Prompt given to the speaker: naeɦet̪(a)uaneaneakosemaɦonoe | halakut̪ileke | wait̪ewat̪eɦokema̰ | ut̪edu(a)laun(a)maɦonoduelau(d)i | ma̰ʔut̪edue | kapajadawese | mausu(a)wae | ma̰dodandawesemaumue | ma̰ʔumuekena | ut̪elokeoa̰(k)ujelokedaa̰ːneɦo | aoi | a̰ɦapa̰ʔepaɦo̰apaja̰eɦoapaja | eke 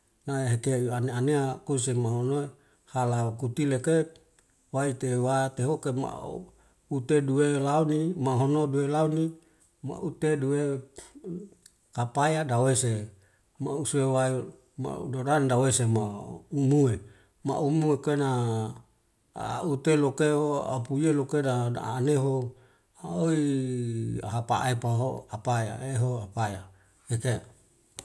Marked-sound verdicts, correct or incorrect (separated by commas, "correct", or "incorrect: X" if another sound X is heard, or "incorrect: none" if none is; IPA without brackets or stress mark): incorrect: e, incorrect: e, incorrect: i, incorrect: n, incorrect: e, incorrect: p